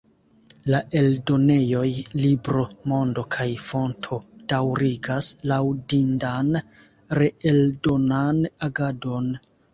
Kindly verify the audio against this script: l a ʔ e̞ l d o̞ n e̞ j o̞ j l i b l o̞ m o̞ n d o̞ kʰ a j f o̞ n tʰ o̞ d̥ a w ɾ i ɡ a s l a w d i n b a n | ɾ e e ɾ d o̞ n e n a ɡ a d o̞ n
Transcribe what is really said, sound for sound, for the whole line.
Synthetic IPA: l a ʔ e̞ l d o̞ n e̞ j o̞ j l i b ɾ o̞ m o̞ n d o̞ kʰ a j f o̞ n tʰ o̞ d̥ a w ɾ i ɡ a s l a w d i n d a n | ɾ e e l d o̞ n a n a ɡ a d o̞ n